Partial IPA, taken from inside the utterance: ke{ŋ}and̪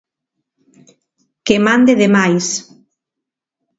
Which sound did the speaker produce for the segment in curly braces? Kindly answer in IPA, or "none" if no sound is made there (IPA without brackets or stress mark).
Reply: m